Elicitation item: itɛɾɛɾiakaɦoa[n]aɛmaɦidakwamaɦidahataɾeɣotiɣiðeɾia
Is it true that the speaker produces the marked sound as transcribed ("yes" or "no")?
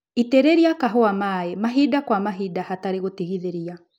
no